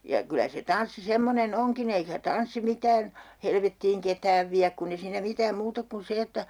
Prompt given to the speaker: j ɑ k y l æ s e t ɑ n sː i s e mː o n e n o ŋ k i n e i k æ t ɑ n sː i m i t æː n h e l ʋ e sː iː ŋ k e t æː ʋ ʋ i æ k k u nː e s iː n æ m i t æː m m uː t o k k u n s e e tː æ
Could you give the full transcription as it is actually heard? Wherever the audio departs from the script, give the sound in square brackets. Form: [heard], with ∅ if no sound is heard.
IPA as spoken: j ɑ k y l æ s e t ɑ n sː i s e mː o n e n o ŋ k i n e i k æ t ɑ n sː i m i t æː n h e l ʋ e [tː] iː ŋ k e t æː ʋ ʋ i æ k k u nː e s iː n æ m i t æː m m uː t o k k u n s e e tː æ